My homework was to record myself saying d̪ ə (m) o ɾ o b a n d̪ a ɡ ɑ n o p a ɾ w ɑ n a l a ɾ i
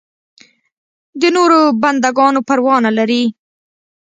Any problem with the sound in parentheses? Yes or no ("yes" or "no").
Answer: yes